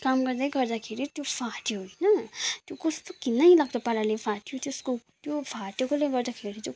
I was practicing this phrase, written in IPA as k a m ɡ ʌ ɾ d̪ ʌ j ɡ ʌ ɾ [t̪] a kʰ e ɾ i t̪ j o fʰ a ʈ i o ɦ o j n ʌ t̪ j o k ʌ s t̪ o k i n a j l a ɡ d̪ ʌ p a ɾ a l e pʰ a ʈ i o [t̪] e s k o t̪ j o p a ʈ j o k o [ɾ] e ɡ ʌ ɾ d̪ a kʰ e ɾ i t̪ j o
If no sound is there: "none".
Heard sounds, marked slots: d̪, t̪, l

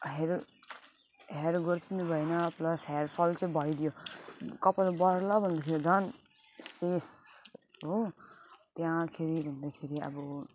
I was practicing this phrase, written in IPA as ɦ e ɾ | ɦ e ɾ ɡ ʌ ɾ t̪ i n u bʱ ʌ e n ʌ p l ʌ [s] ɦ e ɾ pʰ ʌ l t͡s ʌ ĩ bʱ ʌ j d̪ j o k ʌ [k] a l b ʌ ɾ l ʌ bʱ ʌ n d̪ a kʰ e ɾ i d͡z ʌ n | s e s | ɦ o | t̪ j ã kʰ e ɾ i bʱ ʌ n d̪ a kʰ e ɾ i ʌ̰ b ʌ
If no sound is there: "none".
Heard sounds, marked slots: s, p

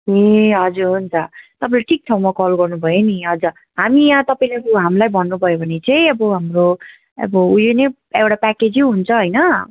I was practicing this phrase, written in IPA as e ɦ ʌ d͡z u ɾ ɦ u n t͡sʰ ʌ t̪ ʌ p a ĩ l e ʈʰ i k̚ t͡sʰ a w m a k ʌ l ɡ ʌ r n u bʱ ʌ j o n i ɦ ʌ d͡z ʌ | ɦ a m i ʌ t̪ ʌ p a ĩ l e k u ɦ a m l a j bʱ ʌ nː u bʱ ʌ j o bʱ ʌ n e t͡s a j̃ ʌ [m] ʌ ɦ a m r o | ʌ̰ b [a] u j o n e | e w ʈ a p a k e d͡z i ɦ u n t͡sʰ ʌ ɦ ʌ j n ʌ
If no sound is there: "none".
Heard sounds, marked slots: b, ʌ

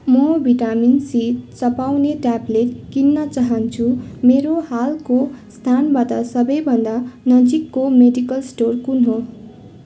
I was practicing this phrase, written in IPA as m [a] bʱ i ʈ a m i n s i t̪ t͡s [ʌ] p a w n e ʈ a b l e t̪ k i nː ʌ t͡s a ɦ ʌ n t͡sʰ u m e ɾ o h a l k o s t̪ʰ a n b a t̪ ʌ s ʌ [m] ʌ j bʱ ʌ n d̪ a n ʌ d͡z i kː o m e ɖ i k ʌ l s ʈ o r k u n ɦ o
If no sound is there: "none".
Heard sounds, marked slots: ʌ, ʌ, b

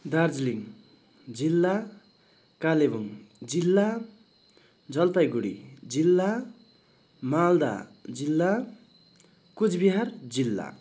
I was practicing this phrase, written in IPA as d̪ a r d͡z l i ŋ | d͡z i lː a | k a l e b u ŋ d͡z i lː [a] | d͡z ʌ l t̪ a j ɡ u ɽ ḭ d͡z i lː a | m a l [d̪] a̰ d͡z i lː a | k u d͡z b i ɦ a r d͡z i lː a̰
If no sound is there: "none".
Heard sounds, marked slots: a, d̪

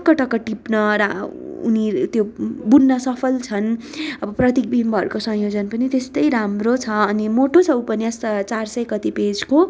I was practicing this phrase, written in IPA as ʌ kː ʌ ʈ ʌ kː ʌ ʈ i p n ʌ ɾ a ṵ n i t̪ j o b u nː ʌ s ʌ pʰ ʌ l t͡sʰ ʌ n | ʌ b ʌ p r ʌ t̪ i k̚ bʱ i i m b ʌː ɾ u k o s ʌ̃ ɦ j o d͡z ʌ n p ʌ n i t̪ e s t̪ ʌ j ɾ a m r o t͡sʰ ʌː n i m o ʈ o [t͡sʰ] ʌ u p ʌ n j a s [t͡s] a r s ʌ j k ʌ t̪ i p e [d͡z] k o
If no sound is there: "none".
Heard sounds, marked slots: t͡sʰ, t͡s, d͡z

